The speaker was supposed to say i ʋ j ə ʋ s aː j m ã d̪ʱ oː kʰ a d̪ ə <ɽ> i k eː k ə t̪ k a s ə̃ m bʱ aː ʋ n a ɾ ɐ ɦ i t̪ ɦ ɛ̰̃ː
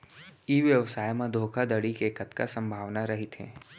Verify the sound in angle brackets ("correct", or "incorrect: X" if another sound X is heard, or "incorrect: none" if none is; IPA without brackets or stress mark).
correct